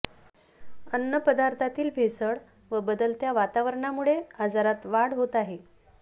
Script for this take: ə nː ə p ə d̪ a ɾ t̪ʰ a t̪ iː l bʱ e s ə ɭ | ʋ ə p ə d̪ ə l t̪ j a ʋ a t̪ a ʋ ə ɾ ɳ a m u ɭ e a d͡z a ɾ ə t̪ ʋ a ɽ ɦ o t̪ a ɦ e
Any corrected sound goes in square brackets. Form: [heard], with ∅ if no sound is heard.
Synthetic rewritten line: ə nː ə p ə d̪ a ɾ t̪ʰ a t̪ iː l bʱ e s ə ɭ | ʋ ə [b] ə d̪ ə l t̪ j a ʋ a t̪ a ʋ ə ɾ ɳ a m u ɭ e a d͡z a ɾ [a] t̪ ʋ a ɽ ɦ o t̪ a ɦ e